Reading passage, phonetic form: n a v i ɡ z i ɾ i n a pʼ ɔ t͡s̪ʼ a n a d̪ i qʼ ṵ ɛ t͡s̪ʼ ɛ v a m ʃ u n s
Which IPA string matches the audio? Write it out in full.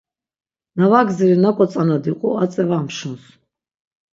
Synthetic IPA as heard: n a v a ɡ z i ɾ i n a kʼ ɔ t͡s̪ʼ a n a d̪ i qʼ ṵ a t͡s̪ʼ ɛ v a m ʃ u n s